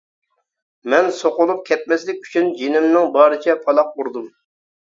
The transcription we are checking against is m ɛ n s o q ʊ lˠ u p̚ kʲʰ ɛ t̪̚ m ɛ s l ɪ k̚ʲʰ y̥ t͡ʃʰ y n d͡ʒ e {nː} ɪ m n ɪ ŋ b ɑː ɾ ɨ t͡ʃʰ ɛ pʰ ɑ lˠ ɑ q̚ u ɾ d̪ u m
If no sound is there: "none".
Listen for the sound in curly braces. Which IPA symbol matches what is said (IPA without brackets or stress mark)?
n